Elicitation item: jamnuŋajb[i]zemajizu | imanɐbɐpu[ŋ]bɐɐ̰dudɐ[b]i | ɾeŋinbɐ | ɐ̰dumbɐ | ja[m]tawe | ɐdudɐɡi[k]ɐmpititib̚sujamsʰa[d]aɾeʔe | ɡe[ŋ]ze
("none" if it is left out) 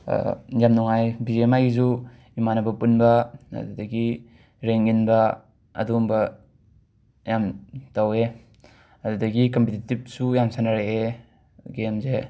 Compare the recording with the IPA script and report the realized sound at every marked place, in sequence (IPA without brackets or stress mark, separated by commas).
i, n, ɡ, m, k, n, m